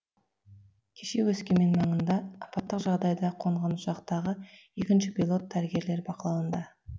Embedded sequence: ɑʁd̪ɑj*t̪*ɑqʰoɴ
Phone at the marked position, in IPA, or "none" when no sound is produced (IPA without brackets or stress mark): d̪